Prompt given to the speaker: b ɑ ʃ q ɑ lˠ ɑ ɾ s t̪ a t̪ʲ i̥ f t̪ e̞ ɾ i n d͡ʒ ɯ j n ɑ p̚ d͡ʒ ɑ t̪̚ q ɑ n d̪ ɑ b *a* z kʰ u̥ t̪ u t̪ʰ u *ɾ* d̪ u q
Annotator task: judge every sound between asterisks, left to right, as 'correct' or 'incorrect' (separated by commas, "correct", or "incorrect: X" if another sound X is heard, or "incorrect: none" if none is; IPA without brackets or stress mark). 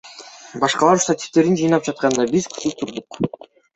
incorrect: i, correct